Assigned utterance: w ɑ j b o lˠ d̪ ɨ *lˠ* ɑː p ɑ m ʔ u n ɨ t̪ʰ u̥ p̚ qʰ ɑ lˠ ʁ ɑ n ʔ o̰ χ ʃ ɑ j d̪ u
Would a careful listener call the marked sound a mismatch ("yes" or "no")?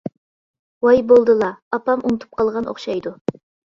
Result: no